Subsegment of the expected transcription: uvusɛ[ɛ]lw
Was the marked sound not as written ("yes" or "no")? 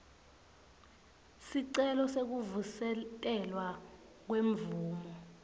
no